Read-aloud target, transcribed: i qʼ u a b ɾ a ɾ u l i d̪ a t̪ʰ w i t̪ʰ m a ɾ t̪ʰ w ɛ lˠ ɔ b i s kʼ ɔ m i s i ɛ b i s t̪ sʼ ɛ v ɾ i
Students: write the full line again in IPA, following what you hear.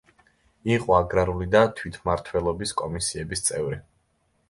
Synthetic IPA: i qʼ ɔ a ɡ ɾ a ɾ u l i d̪ a t̪ʰ w i t̪ʰ m a ɾ t̪ʰ w ɛ lˠ ɔ b i s kʼ ɔ m i s i ɛ b i s t̪ sʼ ɛ v ɾ i